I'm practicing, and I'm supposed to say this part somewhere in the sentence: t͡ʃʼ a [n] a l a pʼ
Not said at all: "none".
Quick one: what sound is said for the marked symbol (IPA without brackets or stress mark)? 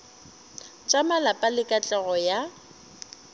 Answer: m